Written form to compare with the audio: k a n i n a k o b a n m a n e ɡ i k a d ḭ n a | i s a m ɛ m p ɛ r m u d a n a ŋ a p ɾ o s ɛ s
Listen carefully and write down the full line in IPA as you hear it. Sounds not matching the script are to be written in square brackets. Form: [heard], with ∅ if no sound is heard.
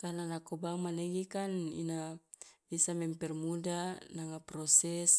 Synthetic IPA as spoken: k a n [a] n a k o b a [ŋ] m a n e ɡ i k a [n] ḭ n a | i s a m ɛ m p ɛ r m u d a n a ŋ a p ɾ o s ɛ s